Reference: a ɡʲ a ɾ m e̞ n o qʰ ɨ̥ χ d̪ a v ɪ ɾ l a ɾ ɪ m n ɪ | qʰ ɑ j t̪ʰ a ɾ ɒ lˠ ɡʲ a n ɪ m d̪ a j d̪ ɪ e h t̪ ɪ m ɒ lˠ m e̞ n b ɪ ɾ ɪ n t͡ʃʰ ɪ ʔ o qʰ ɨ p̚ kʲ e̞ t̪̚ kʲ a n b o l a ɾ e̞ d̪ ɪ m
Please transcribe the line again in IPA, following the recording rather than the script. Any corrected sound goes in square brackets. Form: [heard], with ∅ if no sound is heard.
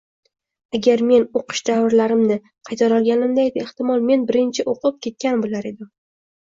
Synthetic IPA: a ɡʲ a ɾ m e̞ n o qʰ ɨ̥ [ʃ] d̪ a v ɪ ɾ l a ɾ ɪ m n ɪ | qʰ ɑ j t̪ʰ a ɾ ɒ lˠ ɡʲ a n ɪ m d̪ a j d̪ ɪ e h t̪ ɪ m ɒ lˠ m e̞ n b ɪ ɾ ɪ n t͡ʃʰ ɪ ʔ o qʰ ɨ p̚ kʲ e̞ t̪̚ kʲ a n b o l a ɾ e̞ d̪ ɪ m